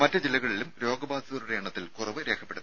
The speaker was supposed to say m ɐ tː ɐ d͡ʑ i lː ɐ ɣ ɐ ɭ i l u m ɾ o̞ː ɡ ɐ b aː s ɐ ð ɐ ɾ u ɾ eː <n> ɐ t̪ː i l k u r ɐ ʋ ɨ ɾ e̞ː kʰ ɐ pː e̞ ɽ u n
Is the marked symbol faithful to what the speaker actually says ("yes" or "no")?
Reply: no